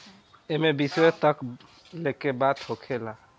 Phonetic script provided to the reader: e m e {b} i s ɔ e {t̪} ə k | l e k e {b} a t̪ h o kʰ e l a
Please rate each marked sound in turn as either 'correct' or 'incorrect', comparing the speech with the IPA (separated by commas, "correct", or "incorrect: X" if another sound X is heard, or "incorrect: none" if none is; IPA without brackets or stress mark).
correct, correct, correct